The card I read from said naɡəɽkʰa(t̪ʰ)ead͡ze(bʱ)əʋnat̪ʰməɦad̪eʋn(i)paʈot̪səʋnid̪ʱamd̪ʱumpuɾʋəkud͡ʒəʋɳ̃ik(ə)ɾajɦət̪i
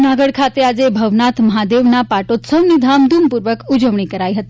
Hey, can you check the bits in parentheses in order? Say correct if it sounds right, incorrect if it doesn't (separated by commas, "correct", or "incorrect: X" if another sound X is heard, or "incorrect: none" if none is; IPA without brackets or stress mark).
incorrect: t̪, correct, incorrect: a, correct